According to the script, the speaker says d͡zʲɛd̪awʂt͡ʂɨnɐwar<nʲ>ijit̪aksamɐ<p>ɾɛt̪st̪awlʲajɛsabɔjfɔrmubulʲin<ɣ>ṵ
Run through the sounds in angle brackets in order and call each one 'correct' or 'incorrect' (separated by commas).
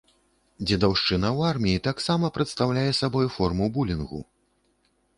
incorrect, correct, correct